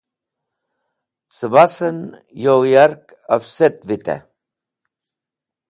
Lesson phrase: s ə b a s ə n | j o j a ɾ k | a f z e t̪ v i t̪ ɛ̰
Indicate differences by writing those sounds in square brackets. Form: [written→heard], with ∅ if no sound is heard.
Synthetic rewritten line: s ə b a s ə n | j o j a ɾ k | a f [z→s] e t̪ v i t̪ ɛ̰